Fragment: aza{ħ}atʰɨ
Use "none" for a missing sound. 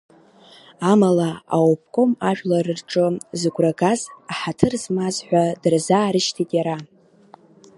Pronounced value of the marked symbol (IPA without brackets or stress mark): ħ